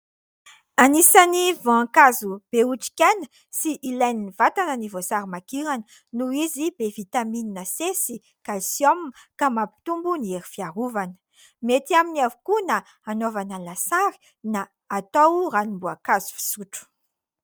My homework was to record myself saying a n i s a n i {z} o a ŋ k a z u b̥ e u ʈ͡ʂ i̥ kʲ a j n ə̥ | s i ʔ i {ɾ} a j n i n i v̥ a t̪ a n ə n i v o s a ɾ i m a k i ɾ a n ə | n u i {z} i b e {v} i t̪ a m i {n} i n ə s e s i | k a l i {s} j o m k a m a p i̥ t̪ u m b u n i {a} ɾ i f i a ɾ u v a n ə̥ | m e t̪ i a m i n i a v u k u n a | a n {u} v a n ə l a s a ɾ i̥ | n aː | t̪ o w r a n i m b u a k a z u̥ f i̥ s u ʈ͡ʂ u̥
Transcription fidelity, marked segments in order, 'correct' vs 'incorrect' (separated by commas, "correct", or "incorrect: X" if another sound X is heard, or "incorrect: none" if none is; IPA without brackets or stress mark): incorrect: v, incorrect: l, correct, correct, correct, correct, incorrect: e, incorrect: o